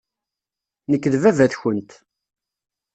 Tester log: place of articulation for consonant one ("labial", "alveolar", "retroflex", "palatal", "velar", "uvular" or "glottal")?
alveolar